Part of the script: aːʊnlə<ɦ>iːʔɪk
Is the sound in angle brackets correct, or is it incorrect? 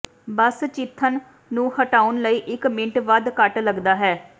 incorrect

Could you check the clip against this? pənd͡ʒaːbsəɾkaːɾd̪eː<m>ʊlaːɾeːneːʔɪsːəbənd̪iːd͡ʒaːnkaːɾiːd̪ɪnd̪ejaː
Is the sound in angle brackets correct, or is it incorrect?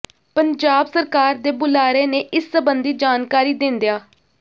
incorrect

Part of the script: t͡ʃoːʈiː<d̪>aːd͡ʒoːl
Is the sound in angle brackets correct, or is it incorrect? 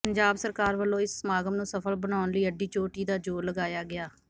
correct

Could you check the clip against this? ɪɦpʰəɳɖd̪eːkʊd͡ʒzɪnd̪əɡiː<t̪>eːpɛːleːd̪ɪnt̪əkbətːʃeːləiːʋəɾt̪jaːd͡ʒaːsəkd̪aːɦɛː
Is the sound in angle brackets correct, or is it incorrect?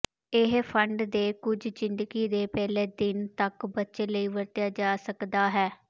incorrect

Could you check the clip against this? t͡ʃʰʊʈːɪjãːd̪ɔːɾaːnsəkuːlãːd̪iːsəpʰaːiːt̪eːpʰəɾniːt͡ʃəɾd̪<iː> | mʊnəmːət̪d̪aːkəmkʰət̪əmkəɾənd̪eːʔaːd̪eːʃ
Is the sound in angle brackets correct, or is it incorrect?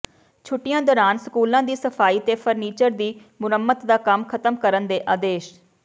correct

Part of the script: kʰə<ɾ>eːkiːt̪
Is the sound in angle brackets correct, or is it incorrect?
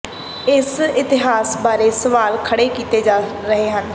incorrect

